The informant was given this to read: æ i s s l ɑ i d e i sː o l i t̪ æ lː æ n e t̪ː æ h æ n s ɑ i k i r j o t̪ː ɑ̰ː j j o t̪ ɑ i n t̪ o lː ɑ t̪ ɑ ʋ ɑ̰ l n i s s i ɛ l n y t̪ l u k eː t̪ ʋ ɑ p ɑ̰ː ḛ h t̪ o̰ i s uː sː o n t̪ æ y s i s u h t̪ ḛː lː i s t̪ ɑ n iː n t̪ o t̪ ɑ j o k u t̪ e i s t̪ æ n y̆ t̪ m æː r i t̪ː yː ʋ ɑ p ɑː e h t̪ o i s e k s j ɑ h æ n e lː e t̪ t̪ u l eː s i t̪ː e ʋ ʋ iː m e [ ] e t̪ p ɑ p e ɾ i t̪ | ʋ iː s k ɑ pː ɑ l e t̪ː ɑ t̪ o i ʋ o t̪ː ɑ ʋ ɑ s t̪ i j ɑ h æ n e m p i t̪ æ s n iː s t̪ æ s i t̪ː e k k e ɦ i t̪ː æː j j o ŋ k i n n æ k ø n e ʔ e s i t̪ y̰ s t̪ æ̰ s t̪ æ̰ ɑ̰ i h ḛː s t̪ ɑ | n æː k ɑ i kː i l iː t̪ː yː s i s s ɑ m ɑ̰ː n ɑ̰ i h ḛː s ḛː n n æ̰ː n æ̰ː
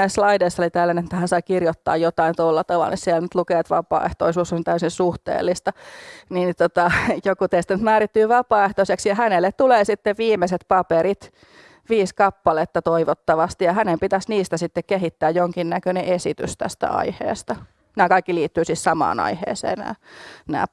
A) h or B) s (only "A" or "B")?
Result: B